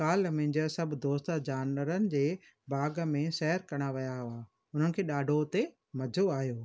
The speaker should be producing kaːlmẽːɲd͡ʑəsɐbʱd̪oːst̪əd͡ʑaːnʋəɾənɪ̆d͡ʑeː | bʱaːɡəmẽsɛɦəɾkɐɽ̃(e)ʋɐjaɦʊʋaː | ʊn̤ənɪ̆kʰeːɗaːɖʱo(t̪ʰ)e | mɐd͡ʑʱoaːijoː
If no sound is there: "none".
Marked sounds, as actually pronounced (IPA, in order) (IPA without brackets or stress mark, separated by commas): a, t̪